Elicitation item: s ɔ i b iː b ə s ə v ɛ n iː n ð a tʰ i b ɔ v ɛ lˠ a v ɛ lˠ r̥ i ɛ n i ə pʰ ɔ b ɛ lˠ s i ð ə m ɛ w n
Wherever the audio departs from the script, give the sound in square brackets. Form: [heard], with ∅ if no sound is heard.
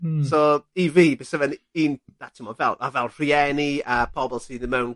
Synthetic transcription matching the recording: s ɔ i [v] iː b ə s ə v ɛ n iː n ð a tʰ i [m] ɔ v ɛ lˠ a v ɛ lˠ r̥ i ɛ n i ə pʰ ɔ b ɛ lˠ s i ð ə m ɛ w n